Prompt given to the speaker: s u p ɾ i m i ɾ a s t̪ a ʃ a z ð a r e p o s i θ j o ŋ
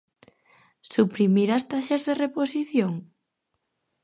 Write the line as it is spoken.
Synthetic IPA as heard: s u p ɾ i m i ɾ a s t̪ a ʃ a z ð e r e p o s i θ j o ŋ